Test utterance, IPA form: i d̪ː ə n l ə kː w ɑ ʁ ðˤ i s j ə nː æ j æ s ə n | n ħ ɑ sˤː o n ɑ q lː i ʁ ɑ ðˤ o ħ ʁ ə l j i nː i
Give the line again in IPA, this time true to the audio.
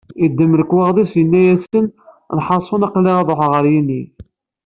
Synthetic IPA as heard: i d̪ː ə m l ə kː w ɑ ʁ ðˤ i s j ə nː æ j æ s ə n | n ħ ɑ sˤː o n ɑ q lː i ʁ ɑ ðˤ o ħ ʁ ə ɾ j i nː i